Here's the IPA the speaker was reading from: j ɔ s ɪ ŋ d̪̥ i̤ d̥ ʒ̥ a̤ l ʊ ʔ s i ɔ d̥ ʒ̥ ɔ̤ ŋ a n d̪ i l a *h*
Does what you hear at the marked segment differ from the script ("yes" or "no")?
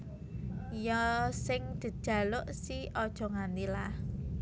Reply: no